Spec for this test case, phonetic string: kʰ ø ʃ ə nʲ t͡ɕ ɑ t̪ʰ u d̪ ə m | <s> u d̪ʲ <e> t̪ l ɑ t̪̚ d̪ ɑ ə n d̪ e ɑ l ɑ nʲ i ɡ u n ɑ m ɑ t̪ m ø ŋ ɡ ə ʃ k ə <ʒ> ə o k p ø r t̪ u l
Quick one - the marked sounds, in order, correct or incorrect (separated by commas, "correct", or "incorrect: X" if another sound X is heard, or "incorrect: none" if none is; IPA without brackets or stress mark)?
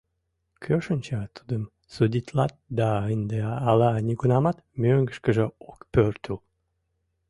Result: correct, incorrect: i, correct